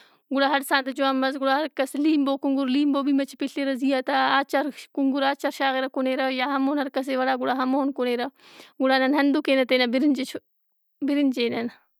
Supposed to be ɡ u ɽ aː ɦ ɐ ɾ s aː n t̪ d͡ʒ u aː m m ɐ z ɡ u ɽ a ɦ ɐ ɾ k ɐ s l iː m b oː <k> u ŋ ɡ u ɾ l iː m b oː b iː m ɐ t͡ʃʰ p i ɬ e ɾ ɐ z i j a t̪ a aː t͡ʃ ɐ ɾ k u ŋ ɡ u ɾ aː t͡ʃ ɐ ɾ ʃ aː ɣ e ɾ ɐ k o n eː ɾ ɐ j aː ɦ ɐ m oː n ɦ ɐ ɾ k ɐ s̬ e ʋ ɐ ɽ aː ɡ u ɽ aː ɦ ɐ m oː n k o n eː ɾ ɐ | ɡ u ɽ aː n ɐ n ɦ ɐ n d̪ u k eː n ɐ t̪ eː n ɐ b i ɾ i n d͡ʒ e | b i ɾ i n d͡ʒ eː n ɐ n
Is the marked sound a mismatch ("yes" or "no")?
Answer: no